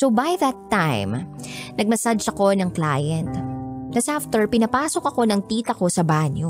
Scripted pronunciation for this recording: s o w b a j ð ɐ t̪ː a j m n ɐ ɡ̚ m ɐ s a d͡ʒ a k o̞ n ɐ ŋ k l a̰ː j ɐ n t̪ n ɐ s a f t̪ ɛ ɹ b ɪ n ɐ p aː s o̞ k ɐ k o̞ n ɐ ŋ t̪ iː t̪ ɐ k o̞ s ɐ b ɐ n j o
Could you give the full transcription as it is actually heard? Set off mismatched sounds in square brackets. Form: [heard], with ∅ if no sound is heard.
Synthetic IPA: s o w b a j ð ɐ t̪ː a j m n ɐ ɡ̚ m ɐ s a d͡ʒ [ɐ] k o̞ n ɐ ŋ k l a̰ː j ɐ n t̪ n ɐ s a f t̪ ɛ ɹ [p] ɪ n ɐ p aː s o̞ k ɐ k o̞ n ɐ ŋ t̪ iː t̪ ɐ k o̞ s ɐ b [a] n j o